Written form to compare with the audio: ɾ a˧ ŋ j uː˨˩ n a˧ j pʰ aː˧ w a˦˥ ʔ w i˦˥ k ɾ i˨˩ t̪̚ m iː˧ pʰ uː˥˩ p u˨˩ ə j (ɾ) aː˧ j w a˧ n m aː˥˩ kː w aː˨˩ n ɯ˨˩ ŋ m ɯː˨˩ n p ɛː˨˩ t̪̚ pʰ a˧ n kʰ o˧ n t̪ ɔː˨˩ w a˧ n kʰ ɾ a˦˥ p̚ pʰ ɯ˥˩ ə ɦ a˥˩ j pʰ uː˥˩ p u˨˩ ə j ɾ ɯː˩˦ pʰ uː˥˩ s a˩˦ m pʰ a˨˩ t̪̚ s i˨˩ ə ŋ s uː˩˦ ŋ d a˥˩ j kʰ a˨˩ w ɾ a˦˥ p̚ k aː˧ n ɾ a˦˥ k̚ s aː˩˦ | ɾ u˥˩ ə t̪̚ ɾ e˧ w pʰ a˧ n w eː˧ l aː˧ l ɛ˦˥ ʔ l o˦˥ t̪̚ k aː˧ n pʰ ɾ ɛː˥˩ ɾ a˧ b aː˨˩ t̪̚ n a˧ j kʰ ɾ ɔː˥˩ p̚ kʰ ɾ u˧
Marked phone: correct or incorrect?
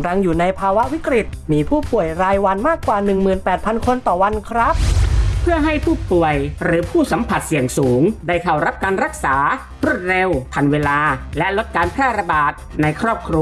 correct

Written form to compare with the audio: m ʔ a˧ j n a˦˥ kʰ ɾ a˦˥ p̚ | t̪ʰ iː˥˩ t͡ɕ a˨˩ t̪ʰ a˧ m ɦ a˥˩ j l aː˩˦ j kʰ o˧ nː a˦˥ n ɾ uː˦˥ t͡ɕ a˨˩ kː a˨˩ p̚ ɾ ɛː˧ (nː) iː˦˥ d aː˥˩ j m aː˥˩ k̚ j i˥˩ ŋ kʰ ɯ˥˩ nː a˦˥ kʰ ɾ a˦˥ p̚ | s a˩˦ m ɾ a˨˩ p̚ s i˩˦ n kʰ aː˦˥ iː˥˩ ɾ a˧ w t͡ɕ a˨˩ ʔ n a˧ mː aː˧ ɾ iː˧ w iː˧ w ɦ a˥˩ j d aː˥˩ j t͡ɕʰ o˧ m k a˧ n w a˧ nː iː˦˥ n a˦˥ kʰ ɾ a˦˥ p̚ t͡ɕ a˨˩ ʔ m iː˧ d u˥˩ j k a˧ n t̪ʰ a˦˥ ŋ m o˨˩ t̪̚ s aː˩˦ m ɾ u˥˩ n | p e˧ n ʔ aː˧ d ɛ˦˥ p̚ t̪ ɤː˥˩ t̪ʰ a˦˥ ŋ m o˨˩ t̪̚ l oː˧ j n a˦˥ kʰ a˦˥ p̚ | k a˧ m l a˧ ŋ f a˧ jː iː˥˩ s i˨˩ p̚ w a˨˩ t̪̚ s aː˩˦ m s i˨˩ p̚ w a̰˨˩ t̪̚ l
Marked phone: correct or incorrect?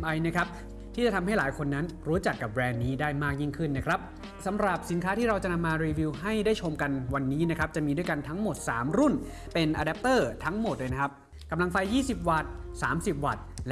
correct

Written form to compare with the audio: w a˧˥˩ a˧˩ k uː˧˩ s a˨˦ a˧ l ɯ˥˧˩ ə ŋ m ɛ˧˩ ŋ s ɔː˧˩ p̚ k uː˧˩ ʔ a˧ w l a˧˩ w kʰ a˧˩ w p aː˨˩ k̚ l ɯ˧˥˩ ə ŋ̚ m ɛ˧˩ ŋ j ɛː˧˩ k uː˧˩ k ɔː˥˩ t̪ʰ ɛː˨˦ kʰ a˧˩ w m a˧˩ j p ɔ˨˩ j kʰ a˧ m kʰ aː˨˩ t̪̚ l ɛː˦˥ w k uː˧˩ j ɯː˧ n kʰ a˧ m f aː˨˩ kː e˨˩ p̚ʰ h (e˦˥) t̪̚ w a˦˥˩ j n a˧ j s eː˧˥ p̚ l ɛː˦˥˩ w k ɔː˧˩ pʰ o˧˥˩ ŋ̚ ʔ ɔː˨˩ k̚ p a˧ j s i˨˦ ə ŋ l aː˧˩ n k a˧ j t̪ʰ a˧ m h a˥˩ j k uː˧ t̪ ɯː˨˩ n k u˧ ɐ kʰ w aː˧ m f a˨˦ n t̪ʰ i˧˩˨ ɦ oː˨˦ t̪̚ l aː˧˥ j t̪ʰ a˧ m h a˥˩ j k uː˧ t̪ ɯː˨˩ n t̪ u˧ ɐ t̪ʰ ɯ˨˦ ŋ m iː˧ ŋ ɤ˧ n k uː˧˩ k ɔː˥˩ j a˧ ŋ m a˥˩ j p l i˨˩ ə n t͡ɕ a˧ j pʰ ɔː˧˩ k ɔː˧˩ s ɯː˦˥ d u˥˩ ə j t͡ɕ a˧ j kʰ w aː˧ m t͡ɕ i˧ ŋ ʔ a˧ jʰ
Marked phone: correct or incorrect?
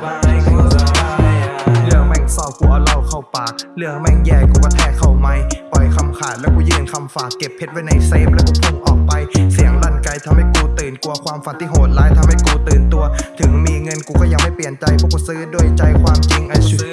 correct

